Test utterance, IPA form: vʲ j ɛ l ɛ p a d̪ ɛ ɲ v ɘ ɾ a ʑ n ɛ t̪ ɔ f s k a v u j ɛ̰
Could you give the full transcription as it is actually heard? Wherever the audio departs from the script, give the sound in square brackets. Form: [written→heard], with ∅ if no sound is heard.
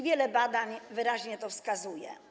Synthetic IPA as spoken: vʲ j ɛ l ɛ [p→b] a d̪ [ɛ→a] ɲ v ɘ ɾ a ʑ [n→ɲ] ɛ t̪ ɔ f s k a [v→z] u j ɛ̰